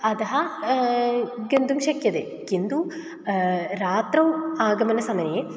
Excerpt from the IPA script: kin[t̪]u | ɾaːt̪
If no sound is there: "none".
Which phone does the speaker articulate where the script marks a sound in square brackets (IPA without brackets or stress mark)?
d̪